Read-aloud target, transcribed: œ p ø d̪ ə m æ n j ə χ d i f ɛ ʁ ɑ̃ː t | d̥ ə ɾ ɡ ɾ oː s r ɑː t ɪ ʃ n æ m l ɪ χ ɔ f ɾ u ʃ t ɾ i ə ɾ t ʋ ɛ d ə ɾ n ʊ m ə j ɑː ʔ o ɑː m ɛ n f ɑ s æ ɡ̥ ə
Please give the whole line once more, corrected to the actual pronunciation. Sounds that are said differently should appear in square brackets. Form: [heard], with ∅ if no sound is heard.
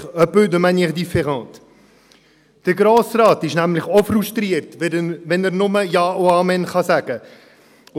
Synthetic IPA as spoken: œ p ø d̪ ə m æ n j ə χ d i f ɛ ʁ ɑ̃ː t | d̥ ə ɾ ɡ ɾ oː s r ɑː t ɪ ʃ n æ m l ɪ χ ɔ f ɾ u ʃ t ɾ i ə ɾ t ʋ ɛ [n] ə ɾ n ʊ m ə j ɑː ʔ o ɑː m ɛ n [χ] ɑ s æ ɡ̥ ə